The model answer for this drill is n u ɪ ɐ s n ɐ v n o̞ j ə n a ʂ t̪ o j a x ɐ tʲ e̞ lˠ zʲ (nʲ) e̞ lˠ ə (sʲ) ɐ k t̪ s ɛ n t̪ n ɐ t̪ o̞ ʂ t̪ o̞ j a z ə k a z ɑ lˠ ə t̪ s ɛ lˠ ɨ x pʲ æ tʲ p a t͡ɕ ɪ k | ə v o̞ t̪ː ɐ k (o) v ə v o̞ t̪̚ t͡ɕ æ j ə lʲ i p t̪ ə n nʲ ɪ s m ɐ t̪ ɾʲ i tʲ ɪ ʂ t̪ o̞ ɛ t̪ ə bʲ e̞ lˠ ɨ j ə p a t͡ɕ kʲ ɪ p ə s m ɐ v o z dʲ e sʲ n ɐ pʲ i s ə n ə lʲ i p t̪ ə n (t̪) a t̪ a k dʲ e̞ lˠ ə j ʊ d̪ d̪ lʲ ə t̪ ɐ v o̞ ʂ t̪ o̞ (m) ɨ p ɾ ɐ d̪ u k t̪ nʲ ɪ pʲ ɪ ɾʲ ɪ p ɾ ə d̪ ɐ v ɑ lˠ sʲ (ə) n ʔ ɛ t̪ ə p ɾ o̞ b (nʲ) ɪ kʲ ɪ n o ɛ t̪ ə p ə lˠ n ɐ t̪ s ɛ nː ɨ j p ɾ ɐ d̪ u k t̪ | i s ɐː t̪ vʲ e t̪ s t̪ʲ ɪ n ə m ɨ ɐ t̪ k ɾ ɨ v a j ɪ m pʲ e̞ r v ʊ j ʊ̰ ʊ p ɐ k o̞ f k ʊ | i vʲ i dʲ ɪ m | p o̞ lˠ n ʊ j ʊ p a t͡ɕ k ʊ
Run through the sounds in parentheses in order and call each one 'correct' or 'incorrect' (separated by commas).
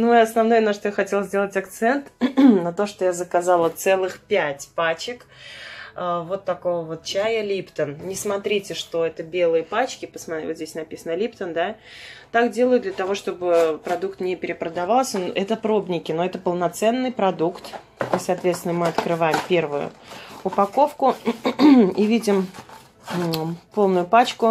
incorrect, incorrect, correct, incorrect, incorrect, correct, correct